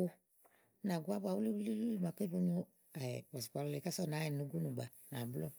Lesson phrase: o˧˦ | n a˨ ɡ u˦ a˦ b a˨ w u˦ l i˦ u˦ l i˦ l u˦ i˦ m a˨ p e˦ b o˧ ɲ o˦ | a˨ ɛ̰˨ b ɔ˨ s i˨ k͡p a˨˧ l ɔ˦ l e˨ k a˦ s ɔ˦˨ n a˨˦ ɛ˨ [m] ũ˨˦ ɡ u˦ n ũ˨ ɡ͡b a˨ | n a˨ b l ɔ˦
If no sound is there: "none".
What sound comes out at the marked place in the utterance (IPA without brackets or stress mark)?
n